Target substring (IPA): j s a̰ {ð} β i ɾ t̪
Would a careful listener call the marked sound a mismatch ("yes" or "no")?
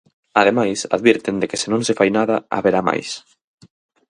no